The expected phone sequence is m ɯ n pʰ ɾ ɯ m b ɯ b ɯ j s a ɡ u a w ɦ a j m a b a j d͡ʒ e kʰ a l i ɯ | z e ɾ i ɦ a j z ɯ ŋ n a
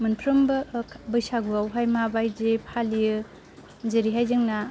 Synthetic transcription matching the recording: m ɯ n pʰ ɾ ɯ m b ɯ b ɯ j s a ɡ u a w ɦ a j m a b a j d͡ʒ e pʰ a l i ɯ | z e ɾ i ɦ a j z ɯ ŋ n a